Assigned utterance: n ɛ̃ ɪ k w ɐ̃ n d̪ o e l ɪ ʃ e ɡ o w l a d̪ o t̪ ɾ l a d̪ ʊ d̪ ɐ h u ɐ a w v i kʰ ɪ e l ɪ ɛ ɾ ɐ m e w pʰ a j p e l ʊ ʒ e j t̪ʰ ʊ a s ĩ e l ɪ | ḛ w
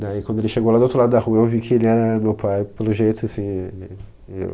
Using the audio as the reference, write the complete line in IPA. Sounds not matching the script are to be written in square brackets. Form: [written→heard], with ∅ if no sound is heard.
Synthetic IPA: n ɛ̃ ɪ k w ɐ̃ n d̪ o e l ɪ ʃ e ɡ o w l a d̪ o t̪ ɾ l a d̪ ʊ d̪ ɐ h u ɐ [a→e] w v i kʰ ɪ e l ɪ ɛ ɾ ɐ m e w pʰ a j p e l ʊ ʒ e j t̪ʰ ʊ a s ĩ e l ɪ | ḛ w

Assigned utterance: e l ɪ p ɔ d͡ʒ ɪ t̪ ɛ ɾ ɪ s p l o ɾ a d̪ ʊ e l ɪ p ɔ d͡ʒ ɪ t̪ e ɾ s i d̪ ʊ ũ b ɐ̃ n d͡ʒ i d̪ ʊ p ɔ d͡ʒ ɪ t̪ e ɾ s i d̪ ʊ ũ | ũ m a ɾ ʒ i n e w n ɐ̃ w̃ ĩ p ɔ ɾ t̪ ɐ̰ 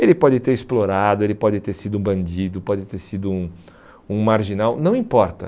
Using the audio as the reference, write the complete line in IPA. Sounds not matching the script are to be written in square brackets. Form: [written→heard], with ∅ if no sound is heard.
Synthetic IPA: e l ɪ p ɔ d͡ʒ ɪ t̪ [ɛ→e] ɾ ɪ s p l o ɾ a d̪ ʊ e l ɪ p ɔ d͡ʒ ɪ t̪ e ɾ s i d̪ ʊ ũ b ɐ̃ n d͡ʒ i d̪ ʊ p ɔ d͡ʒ ɪ t̪ e ɾ s i d̪ ʊ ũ | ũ m a ɾ ʒ i n [e→a] w n ɐ̃ w̃ ĩ p ɔ ɾ t̪ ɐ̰

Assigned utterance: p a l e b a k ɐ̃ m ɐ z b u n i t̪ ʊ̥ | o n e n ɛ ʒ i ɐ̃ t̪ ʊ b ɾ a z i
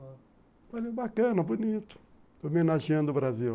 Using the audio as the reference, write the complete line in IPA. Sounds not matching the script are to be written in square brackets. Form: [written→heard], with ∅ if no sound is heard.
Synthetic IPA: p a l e b a k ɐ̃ [m→n] ɐ [z→∅] b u n i t̪ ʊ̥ | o [n→m] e n [ɛ→a] ʒ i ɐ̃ [t̪→d̪] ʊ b ɾ a z i

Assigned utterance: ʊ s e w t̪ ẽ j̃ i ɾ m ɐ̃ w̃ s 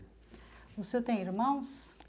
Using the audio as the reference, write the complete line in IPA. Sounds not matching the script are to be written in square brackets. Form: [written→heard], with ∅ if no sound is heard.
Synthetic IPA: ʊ s e w t̪ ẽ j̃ i ɾ m ɐ̃ w̃ s

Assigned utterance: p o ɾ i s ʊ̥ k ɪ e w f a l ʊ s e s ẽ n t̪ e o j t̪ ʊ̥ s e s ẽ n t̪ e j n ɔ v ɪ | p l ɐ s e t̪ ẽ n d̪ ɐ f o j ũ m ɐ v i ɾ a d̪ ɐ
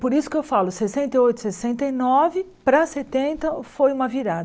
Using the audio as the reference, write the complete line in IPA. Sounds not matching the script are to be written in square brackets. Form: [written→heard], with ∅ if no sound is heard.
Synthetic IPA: p o ɾ i s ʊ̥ k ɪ e w f a l ʊ s e s ẽ n t̪ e o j t̪ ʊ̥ s e s ẽ n t̪ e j n ɔ v ɪ | p [l→ɾ] ɐ s e t̪ ẽ n [d̪→t̪] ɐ f o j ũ m ɐ v i ɾ a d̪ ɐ

